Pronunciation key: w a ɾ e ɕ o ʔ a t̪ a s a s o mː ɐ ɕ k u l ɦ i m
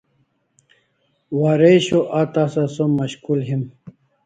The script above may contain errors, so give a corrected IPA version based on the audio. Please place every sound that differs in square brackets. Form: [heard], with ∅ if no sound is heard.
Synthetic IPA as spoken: w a ɾ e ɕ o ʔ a t̪ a s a s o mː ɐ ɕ k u l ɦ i m